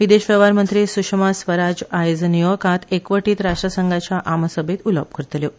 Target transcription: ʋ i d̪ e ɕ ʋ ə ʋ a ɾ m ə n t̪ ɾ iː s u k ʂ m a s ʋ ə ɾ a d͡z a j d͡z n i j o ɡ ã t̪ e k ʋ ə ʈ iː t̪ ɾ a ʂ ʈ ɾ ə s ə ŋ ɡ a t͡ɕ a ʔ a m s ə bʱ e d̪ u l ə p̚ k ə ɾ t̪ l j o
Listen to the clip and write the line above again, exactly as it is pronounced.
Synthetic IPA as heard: ʋ i d̪ e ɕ ʋ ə ʋ a ɾ m ə n t̪ ɾ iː s u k ʂ m a s ʋ ə ɾ a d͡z a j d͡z n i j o k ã t̪ e k ʋ ə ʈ iː t̪ ɾ a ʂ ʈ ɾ ə s ə ŋ ɡ a t͡ɕ a ʔ a m s ə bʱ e t̪ u l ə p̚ k ə ɾ t̪ l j o